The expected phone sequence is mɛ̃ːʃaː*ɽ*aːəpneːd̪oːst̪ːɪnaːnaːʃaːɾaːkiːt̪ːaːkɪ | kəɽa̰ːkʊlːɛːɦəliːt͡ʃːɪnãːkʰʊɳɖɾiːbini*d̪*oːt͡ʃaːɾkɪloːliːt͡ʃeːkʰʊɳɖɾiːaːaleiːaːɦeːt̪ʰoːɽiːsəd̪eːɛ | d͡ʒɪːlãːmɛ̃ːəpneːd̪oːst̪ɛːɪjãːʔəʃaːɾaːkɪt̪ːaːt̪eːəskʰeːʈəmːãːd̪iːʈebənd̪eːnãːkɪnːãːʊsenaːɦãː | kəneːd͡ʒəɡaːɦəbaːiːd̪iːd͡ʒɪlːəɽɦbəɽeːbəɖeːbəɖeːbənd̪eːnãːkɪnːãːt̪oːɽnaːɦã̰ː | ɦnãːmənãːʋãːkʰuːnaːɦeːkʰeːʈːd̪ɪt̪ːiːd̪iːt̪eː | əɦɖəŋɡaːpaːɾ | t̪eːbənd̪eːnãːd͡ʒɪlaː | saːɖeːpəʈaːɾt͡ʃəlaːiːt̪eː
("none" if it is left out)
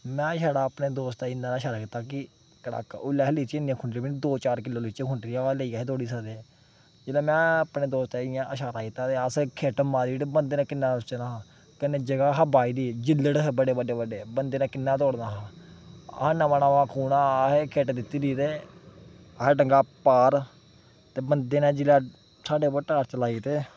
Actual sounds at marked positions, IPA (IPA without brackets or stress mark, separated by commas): ɽ, d̪